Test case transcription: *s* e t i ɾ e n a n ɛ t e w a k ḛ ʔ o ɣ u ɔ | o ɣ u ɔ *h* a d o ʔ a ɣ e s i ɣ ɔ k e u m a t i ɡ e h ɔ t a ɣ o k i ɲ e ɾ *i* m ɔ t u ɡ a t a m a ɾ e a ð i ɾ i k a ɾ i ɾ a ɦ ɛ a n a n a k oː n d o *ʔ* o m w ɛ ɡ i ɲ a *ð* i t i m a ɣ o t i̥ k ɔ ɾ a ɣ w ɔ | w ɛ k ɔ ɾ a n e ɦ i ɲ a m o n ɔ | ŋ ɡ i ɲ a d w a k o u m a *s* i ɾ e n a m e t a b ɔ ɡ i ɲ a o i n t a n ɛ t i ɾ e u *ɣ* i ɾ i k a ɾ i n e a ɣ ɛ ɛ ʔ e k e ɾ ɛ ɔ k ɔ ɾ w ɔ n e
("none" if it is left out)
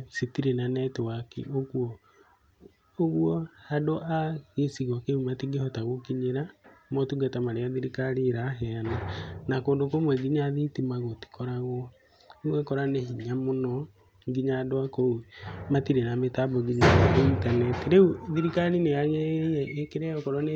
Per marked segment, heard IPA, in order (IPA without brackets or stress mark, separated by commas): s, h, a, k, ð, t, ð